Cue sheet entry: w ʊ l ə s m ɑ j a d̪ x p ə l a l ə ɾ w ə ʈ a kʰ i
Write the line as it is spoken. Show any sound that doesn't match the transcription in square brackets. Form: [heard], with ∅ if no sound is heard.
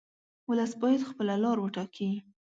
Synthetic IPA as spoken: w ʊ l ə s [b] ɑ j a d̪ x p ə l a l [ɑ] ɾ w ə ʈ [ɑ] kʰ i